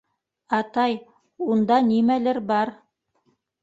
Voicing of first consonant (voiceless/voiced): voiceless